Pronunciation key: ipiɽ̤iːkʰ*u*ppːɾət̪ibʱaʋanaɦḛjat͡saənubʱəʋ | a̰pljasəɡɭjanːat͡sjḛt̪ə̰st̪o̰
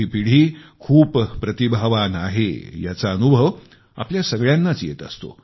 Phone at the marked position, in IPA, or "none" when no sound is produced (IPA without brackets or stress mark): uː